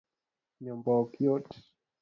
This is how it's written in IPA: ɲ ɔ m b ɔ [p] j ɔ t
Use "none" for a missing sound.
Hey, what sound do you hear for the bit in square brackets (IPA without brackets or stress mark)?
k